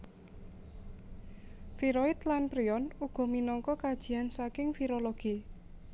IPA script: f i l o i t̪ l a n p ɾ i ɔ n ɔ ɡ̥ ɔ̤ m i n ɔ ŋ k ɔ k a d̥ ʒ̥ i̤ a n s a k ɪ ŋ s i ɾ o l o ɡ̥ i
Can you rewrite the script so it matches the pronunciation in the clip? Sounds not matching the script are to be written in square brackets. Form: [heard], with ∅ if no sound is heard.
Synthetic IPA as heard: f i [ɾ] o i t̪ l a n p ɾ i ɔ n [u] ɡ̥ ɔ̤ m i n ɔ ŋ k ɔ k a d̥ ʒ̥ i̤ a n s a k ɪ ŋ [f] i ɾ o l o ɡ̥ i